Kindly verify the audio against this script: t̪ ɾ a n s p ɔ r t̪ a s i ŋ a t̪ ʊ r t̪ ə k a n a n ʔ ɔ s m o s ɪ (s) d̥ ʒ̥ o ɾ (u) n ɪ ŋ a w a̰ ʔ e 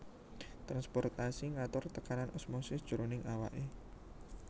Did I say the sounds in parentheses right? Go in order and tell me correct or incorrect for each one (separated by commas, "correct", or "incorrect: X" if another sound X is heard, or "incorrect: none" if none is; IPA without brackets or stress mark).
correct, incorrect: o